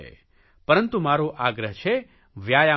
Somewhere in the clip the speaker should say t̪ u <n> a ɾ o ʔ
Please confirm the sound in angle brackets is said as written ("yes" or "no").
no